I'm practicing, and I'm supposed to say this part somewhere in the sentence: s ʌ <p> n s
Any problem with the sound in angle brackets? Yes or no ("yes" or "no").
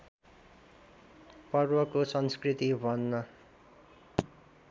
yes